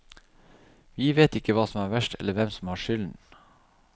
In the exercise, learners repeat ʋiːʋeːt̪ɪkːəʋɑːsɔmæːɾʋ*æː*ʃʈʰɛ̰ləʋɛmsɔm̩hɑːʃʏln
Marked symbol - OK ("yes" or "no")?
no